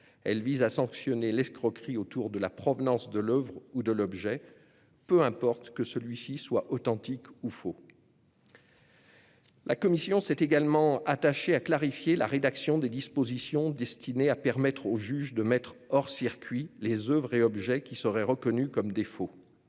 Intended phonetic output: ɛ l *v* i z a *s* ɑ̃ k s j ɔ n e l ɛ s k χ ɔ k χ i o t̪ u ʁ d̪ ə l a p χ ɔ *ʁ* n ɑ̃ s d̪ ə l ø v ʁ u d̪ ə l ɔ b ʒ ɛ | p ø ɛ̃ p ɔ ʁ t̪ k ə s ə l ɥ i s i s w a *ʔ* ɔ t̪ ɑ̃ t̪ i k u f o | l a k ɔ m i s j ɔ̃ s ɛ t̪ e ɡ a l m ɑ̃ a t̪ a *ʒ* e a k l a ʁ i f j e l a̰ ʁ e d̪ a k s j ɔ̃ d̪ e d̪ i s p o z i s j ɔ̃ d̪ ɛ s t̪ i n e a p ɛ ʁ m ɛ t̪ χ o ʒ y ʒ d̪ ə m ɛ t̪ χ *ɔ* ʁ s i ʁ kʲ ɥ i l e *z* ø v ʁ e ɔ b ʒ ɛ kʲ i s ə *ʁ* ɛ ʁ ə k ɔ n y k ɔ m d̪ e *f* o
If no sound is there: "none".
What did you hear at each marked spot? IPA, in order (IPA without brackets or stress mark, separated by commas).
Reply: v, s, v, ʔ, ʃ, ɔ, z, ʁ, f